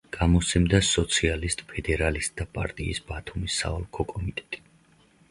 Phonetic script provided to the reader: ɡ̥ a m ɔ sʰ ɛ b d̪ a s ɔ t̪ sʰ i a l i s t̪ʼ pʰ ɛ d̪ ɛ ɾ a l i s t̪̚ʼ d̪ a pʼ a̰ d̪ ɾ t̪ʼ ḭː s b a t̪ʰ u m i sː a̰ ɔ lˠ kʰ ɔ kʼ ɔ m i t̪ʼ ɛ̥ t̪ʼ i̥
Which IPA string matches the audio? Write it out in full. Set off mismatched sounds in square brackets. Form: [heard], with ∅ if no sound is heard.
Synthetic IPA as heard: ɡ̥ a m ɔ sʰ ɛ [m] d̪ a s ɔ t̪ sʰ i a l i s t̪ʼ pʰ ɛ d̪ ɛ ɾ a l i s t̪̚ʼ d̪ a pʼ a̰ [∅] ɾ t̪ʼ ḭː s b a t̪ʰ u m i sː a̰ ɔ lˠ kʰ ɔ kʼ ɔ m i t̪ʼ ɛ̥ t̪ʼ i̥